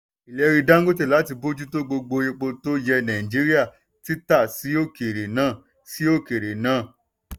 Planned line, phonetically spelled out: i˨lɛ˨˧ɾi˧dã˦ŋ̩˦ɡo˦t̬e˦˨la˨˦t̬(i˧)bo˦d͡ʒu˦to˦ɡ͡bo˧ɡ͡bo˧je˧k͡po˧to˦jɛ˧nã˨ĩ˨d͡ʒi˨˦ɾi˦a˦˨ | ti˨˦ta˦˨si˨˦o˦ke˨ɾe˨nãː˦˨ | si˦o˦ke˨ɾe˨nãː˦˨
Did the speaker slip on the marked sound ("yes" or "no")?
no